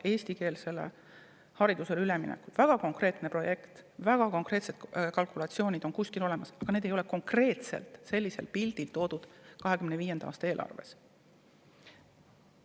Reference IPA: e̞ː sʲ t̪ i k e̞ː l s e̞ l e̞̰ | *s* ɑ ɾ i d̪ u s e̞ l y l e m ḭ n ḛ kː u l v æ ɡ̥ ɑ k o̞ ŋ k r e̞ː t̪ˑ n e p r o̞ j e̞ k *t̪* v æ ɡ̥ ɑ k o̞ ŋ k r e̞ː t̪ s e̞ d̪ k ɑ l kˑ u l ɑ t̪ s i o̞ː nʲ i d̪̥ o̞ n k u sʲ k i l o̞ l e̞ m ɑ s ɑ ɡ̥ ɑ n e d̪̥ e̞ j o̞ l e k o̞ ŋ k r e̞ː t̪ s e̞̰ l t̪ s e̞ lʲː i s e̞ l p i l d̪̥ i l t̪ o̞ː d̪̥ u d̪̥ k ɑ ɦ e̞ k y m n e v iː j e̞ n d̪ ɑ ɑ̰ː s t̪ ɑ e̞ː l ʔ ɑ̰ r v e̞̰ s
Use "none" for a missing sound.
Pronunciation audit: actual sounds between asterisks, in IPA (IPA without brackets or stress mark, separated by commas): h, t̪